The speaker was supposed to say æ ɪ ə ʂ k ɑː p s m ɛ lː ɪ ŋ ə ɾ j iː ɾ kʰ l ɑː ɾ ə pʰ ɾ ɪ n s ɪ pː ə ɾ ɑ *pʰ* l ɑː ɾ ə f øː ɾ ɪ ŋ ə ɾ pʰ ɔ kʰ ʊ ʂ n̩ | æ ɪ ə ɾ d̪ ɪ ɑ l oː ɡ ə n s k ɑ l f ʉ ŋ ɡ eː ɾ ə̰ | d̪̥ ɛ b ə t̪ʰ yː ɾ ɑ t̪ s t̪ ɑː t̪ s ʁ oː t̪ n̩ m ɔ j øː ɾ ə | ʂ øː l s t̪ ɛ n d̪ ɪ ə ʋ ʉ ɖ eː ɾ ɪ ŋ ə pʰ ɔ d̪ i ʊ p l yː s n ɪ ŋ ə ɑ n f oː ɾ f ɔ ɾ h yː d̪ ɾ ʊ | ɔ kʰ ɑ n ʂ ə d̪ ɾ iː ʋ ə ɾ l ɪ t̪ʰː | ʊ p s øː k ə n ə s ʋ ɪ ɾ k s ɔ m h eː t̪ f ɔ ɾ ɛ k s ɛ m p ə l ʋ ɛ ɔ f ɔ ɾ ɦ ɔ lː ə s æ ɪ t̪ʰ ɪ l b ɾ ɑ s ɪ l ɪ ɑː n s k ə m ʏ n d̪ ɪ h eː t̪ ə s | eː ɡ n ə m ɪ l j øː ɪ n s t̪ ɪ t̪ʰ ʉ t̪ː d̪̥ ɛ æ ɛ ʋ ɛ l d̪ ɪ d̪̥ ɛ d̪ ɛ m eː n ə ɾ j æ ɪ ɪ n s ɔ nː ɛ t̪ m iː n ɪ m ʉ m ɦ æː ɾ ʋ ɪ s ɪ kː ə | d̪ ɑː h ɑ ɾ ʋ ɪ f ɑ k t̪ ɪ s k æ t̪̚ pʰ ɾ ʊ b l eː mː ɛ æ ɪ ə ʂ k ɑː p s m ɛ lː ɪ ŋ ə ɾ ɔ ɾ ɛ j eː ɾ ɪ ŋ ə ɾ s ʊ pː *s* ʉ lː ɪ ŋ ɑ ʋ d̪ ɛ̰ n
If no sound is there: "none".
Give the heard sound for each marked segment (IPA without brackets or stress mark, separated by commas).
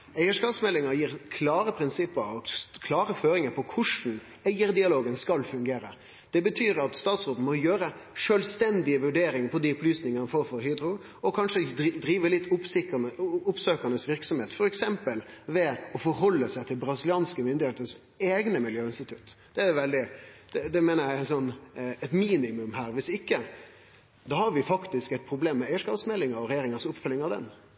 kʰ, f